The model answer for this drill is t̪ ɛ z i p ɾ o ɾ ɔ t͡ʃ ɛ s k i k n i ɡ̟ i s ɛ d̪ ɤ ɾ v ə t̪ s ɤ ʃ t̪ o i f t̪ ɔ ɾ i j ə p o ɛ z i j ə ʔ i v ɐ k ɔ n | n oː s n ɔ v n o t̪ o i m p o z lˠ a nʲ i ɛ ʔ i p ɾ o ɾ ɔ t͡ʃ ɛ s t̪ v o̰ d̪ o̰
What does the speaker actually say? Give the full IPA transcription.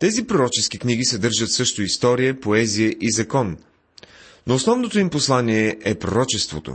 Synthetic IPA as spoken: t̪ ɛ z i p ɾ o ɾ ɔ t͡ʃ ɛ s k i k n i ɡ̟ i s ɛ d̪ ɤ ɾ ʒ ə t̪ s ɤ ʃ t̪ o i s t̪ ɔ ɾ i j ə p o ɛ z i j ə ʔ i z ɐ k ɔ n | n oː s n ɔ v n o t̪ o i m p o s lˠ a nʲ i ɛ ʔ ɛ p ɾ o ɾ ɔ t͡ʃ ɛ s t̪ v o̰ t̪ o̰